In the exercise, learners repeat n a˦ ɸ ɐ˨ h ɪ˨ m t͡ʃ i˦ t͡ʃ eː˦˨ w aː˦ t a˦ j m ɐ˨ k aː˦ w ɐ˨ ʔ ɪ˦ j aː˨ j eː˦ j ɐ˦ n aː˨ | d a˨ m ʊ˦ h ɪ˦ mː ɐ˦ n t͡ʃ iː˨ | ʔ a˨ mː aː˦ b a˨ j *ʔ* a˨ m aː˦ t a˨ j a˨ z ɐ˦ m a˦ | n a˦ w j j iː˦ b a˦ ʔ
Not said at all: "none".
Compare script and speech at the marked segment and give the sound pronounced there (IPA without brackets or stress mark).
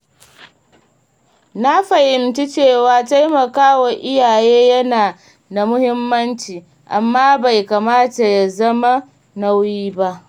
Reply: k